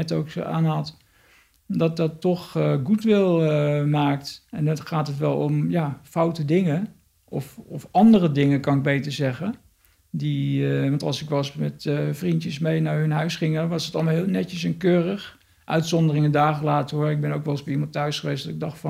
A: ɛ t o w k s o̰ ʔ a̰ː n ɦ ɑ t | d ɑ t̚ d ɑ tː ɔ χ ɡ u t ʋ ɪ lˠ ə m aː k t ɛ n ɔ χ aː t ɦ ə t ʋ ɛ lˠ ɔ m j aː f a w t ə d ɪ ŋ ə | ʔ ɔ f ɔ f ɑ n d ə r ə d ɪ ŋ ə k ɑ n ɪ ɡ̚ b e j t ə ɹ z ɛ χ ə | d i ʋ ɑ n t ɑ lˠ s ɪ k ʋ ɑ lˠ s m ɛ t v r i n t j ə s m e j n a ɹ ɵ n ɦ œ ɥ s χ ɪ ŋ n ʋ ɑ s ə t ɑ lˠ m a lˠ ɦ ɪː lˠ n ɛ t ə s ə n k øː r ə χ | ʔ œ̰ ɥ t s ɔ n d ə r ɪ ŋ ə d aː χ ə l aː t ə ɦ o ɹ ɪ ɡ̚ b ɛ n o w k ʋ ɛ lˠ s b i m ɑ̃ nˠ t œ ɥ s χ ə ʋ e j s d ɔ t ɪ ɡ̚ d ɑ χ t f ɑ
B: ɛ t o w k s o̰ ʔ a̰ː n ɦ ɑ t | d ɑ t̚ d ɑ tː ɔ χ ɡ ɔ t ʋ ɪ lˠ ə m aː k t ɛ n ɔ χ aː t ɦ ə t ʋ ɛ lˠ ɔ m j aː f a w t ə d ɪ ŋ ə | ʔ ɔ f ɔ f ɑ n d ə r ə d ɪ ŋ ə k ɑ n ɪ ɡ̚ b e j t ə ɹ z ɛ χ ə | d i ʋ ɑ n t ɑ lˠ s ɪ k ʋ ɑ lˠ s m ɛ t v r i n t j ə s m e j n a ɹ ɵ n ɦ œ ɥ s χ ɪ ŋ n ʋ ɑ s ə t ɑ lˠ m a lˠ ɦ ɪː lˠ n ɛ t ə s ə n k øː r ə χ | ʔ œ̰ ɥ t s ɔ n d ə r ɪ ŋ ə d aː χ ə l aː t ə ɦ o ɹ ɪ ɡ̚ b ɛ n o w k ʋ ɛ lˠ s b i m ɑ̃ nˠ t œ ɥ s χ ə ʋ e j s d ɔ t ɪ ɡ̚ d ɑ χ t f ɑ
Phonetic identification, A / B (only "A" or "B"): A